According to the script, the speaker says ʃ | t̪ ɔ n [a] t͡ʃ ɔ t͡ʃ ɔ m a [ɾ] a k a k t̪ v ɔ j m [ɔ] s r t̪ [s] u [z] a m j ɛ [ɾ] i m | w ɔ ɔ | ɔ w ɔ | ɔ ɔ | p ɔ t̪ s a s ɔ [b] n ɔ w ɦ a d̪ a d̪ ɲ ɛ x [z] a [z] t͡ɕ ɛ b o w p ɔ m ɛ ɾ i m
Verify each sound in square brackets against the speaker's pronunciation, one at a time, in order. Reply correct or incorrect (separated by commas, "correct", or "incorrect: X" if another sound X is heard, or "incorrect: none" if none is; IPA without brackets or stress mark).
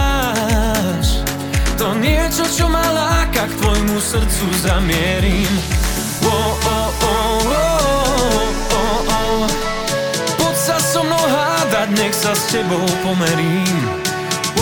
incorrect: ɛ, incorrect: l, incorrect: u, correct, correct, correct, incorrect: m, incorrect: s, incorrect: s